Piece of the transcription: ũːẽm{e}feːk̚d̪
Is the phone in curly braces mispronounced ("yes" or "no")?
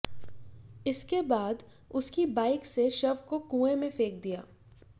yes